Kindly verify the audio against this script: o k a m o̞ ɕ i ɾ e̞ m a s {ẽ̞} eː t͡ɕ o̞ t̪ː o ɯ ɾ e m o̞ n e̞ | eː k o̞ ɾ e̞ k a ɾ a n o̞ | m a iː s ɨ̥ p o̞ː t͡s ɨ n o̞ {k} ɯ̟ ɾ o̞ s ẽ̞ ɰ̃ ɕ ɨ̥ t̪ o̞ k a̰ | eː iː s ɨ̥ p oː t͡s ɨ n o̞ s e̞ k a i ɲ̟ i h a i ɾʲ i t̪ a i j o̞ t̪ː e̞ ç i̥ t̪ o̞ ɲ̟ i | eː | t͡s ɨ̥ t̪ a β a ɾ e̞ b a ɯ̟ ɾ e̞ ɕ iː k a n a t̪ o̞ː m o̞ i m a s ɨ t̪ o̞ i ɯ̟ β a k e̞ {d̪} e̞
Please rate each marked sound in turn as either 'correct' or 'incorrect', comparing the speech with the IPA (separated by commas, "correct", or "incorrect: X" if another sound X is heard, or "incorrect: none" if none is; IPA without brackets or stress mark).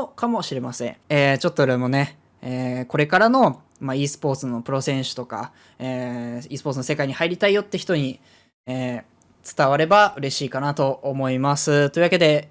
correct, incorrect: p, correct